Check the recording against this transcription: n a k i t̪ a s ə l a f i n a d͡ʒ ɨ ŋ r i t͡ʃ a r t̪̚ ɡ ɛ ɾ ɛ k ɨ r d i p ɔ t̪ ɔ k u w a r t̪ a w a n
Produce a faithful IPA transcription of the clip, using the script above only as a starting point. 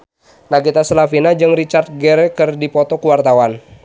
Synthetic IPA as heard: n a ɡ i t̪ a s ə l a f i n a d͡ʒ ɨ ŋ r i t͡ʃ a r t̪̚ ɡ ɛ ɾ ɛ k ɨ r d i p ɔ t̪ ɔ k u w a r t̪ a w a n